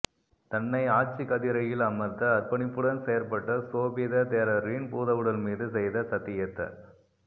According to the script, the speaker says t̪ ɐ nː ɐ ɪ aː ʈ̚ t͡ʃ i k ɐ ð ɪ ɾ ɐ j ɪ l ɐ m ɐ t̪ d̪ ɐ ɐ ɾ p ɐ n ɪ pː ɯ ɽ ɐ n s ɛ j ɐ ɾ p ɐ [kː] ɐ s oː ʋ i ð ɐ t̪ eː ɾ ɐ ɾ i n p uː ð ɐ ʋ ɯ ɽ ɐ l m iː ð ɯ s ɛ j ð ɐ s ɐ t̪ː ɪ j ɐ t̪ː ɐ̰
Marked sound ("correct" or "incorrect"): incorrect